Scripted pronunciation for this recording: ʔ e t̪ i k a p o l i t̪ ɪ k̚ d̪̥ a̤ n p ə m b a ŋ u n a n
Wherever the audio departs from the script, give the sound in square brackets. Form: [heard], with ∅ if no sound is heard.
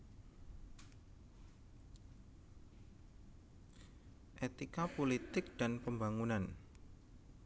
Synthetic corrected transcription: ʔ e t̪ i k a p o l i t̪ ɪ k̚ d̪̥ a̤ n p ə m b a ŋ u n a n